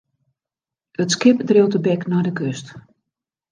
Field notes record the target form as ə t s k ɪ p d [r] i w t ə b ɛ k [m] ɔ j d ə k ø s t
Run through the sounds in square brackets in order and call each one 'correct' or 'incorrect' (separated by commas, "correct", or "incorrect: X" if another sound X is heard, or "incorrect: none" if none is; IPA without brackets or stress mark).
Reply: correct, incorrect: n